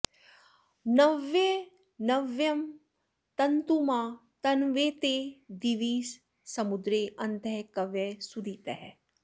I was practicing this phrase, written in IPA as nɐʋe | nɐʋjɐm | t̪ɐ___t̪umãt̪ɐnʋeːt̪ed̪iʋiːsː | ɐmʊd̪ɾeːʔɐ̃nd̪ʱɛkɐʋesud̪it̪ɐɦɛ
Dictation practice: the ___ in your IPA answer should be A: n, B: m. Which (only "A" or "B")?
A